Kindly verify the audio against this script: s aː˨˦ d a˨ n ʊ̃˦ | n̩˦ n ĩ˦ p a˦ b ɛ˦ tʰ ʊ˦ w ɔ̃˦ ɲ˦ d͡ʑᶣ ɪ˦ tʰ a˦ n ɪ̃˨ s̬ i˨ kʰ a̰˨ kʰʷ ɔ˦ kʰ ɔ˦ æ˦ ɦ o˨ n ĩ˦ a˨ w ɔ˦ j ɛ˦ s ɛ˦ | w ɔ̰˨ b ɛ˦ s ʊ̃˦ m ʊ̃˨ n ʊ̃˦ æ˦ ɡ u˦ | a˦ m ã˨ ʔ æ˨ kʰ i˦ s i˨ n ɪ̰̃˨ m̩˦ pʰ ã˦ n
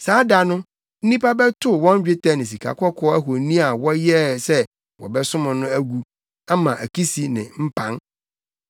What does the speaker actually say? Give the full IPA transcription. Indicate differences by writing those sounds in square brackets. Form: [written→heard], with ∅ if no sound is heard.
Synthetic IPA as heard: s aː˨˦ d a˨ n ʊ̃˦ | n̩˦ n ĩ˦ p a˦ b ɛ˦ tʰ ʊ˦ w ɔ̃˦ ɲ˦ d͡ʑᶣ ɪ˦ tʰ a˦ n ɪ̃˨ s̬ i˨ kʰ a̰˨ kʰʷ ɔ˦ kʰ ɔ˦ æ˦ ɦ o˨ n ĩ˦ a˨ w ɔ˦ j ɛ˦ s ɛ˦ | w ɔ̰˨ b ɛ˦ s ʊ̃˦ m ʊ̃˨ n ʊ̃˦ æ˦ ɡ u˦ | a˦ m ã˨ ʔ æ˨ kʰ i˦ s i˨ n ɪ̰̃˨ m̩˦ pʰ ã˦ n

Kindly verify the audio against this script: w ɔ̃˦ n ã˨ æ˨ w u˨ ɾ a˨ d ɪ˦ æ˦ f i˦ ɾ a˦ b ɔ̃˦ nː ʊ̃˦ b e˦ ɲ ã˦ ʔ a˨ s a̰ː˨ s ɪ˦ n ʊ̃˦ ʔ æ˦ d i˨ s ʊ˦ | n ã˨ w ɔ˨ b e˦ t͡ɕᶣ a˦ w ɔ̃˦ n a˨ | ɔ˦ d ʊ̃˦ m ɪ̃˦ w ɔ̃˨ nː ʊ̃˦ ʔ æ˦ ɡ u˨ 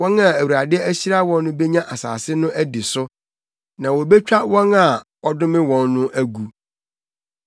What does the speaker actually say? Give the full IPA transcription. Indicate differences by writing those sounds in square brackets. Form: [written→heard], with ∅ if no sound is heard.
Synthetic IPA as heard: w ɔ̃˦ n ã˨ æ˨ w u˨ ɾ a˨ d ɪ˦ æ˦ [f→ɕ] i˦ ɾ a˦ [b→w] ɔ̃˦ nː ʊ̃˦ b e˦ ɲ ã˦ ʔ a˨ s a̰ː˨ s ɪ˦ n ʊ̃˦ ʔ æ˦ d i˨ s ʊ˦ | n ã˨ w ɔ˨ b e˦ t͡ɕᶣ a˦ w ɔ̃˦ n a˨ | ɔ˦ d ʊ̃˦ m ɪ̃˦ w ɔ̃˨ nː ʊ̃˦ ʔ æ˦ ɡ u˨

